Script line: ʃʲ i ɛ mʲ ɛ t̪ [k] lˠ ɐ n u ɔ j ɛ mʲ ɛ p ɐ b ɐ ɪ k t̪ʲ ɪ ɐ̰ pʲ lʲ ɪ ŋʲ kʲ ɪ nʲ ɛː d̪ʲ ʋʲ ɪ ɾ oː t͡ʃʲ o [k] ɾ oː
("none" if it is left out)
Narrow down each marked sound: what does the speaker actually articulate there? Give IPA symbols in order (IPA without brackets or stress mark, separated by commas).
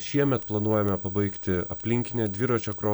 p, k